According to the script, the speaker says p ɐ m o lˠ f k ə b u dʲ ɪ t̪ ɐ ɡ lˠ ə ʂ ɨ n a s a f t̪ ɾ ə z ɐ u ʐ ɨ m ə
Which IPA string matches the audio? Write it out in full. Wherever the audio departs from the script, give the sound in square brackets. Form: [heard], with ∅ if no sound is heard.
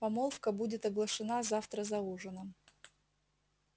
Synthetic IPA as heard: p ɐ m o lˠ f k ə b u dʲ ɪ t̪ ɐ ɡ lˠ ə ʂ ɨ n a [z] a f t̪ ɾ ə z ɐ u ʐ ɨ [n] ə